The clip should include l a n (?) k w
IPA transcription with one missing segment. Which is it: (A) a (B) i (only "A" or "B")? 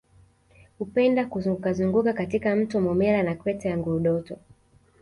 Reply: A